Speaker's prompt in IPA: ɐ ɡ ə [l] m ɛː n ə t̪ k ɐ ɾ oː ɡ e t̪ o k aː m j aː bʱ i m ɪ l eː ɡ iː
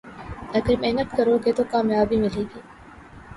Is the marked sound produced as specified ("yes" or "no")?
no